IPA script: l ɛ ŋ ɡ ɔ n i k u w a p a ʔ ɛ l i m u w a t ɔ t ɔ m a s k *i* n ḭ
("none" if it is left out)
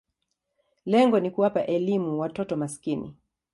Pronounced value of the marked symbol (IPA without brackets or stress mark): i